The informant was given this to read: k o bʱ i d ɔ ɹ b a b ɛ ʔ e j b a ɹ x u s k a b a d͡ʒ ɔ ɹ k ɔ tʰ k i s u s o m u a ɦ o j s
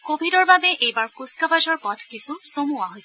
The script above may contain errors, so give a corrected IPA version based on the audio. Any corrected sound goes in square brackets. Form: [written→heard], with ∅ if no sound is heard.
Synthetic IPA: k o bʱ i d ɔ ɹ b a b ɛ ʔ e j b a ɹ [x→k] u s k a b a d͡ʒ ɔ ɹ [k→p] ɔ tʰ k i s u s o m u a ɦ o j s